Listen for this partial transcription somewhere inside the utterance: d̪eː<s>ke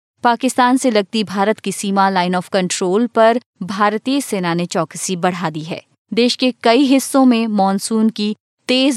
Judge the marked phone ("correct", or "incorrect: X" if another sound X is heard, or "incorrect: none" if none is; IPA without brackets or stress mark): incorrect: ʃ